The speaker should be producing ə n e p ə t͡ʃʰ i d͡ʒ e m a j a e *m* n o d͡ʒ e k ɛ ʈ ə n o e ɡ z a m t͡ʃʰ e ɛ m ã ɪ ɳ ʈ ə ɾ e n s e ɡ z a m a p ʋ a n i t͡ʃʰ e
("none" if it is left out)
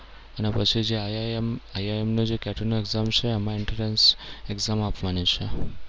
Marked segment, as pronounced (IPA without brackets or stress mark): m